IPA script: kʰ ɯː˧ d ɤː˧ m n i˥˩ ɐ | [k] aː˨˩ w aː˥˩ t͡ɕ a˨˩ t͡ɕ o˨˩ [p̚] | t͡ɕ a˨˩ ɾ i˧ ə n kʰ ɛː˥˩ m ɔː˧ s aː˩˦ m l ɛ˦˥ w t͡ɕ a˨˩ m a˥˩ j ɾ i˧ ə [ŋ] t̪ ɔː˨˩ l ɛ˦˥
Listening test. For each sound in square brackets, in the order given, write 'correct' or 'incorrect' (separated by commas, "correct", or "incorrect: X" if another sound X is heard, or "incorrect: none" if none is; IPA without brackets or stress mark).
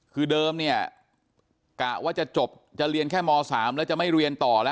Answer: correct, correct, incorrect: n